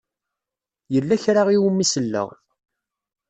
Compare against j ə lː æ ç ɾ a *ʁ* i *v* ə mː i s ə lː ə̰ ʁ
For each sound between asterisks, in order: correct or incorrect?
correct, incorrect: w

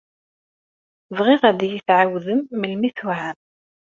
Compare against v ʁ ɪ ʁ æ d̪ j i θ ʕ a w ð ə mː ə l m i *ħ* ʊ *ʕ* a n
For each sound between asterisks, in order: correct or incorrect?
incorrect: θ, correct

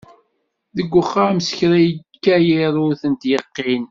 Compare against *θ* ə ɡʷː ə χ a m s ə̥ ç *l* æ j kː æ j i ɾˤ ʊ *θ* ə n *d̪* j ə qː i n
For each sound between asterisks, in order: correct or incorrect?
incorrect: ð, incorrect: ɾ, correct, incorrect: t̪

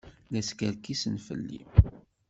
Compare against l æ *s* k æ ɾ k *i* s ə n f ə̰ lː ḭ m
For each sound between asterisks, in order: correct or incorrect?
correct, correct

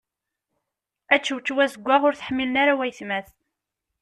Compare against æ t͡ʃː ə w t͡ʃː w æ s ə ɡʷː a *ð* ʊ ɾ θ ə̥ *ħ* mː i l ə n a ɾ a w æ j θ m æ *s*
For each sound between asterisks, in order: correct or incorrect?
incorrect: ʁ, correct, incorrect: θ

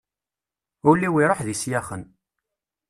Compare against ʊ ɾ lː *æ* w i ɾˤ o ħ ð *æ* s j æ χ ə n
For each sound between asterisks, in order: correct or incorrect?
incorrect: i, incorrect: i

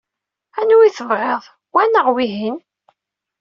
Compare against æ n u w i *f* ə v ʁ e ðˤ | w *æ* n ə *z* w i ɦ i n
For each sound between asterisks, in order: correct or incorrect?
incorrect: θ, correct, incorrect: ʁ

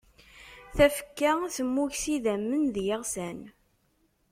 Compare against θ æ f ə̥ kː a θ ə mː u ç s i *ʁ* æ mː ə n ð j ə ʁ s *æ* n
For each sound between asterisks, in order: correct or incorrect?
incorrect: ð, correct

